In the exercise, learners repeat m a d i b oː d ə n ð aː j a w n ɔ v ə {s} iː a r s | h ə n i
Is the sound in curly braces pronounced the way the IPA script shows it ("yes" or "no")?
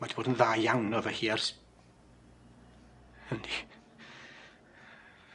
no